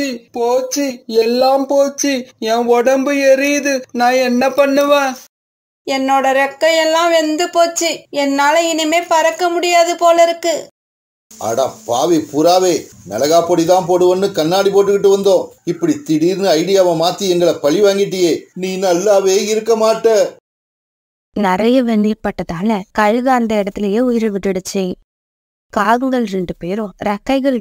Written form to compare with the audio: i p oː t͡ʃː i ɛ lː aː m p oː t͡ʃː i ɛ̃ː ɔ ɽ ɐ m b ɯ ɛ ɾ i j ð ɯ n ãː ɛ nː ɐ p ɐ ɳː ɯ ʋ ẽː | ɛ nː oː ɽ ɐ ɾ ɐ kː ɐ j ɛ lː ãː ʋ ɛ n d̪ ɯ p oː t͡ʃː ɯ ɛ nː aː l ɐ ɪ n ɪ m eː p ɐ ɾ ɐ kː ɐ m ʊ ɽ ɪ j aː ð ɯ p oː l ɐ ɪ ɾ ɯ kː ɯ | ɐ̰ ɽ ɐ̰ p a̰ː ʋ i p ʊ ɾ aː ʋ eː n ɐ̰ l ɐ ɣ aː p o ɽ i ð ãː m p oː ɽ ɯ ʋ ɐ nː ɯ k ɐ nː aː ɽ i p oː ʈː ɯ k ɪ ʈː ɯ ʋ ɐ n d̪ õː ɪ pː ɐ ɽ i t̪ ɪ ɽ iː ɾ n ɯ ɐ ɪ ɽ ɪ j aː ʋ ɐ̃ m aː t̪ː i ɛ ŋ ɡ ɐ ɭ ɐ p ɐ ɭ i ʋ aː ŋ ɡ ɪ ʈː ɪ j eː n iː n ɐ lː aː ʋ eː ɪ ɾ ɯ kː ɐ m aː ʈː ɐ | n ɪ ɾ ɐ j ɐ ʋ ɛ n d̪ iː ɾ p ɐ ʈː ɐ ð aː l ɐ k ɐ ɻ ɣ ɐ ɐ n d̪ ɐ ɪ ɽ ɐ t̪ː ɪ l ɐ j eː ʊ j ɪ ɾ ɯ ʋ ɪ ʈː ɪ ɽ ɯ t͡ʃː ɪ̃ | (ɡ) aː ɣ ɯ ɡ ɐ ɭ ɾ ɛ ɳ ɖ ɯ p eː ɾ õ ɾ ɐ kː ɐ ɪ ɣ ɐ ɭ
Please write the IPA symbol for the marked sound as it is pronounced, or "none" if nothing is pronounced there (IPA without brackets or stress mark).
k